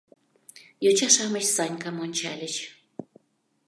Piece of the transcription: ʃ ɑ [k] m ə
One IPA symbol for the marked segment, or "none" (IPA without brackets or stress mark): none